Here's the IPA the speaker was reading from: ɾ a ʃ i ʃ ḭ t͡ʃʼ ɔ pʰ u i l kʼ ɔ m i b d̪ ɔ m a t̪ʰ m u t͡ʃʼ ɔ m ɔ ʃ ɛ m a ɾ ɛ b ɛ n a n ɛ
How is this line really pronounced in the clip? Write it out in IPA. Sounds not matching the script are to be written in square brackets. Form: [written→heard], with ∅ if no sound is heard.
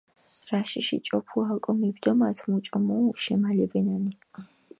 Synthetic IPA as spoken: ɾ a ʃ i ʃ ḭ t͡ʃʼ ɔ pʰ u [i→a] l kʼ ɔ m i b d̪ ɔ m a t̪ʰ m u t͡ʃʼ ɔ m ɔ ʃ ɛ m a [ɾ→l] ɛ b ɛ n a n [ɛ→i]